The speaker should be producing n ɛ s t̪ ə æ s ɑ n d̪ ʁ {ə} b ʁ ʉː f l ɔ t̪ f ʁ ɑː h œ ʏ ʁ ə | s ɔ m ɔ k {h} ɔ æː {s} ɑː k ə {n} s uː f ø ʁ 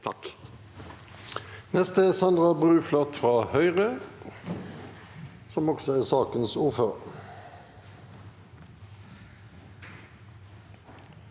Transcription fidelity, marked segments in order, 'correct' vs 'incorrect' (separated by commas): incorrect, incorrect, correct, correct